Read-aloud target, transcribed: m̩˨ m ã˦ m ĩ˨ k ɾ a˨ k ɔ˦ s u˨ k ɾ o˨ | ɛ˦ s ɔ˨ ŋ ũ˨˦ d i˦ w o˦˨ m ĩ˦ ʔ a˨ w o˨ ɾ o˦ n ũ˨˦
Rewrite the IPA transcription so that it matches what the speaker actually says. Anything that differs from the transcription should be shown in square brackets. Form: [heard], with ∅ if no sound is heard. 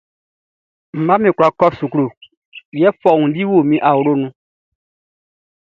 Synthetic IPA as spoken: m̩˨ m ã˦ m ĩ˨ k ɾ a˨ k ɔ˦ s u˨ k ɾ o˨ | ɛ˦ [f] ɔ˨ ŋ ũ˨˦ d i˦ w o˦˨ m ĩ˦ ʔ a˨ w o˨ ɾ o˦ n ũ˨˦